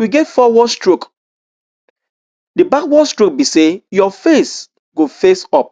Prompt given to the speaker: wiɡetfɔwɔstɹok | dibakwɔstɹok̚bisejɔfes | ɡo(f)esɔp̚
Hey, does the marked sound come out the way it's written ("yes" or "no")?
yes